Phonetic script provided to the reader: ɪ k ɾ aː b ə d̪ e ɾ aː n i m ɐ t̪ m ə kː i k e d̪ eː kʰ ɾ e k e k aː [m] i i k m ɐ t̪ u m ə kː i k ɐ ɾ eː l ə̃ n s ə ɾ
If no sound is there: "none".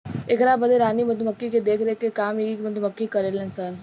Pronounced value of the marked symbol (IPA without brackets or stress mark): m